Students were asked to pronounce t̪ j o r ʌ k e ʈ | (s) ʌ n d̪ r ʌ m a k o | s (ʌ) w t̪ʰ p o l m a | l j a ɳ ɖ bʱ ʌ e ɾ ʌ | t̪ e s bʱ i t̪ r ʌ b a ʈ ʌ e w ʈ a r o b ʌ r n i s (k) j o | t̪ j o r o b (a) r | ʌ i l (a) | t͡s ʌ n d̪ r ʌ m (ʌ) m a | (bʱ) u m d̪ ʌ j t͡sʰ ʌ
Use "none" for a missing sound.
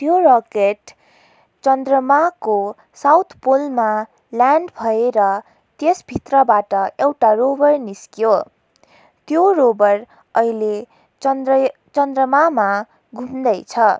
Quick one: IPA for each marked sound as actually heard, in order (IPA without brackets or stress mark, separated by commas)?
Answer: t͡s, a, k, ʌ, e, a, ɡʱ